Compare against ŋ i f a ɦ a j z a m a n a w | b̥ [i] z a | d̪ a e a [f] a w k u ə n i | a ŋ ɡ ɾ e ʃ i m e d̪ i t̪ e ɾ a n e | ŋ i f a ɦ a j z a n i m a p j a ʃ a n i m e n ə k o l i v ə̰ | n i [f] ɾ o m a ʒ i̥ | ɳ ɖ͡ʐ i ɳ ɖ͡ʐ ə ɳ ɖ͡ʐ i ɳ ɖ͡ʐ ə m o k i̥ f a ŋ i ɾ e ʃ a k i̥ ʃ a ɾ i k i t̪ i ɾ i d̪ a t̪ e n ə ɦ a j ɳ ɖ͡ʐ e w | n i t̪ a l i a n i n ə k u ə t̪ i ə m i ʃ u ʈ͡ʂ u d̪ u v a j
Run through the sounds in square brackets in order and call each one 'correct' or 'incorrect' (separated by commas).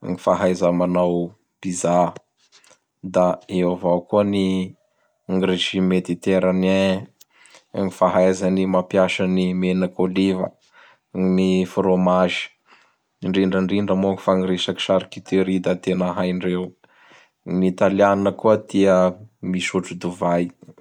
correct, incorrect, correct